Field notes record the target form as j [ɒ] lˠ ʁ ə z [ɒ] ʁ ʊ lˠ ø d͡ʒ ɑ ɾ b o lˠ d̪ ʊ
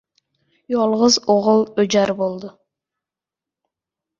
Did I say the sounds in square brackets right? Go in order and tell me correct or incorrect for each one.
incorrect, incorrect

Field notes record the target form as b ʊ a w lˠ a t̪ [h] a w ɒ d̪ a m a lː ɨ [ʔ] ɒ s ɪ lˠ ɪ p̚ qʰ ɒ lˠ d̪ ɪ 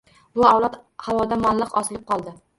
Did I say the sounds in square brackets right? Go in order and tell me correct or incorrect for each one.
correct, incorrect

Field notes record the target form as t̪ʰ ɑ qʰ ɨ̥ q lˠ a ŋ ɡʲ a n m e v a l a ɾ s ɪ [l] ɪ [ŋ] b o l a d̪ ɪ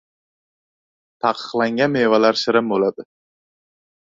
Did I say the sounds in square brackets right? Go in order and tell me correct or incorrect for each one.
incorrect, incorrect

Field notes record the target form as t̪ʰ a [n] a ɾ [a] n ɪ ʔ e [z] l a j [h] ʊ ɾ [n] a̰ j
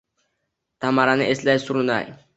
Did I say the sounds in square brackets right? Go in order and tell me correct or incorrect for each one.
incorrect, correct, incorrect, incorrect, correct

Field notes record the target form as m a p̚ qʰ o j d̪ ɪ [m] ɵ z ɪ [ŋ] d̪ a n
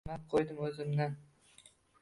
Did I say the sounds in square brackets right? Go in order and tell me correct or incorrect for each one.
correct, incorrect

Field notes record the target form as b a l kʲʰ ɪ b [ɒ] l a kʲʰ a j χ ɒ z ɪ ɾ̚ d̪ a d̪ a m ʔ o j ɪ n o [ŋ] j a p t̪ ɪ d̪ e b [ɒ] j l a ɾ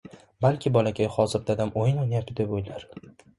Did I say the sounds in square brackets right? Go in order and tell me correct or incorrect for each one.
correct, incorrect, incorrect

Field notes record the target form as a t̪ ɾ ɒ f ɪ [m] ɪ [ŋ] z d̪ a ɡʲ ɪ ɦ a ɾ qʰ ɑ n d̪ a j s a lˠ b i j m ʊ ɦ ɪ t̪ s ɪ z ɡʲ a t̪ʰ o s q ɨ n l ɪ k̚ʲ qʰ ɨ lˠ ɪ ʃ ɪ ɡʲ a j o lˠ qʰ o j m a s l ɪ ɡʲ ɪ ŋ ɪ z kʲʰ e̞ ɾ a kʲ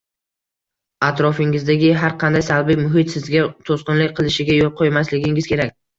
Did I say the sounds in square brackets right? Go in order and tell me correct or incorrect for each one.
incorrect, incorrect

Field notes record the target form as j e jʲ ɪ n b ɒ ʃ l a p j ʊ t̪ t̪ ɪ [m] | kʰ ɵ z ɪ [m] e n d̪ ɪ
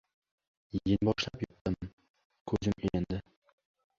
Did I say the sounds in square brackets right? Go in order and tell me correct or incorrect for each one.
correct, correct

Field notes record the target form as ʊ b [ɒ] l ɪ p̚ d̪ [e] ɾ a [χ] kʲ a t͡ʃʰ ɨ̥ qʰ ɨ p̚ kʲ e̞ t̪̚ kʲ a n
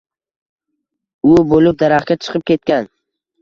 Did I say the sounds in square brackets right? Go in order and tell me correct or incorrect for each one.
incorrect, incorrect, correct

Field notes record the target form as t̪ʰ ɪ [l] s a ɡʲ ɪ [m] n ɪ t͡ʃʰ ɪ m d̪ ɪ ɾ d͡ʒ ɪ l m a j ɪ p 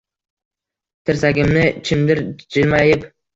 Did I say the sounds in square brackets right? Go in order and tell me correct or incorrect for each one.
incorrect, correct

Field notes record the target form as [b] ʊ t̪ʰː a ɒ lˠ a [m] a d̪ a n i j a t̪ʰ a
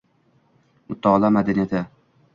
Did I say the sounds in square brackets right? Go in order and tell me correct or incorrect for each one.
incorrect, correct

